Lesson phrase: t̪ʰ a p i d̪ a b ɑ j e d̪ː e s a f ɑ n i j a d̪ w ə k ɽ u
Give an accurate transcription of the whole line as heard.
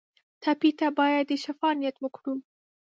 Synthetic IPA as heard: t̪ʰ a p i t̪ a b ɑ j a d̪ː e ʃ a f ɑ n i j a t̪ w ə k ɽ u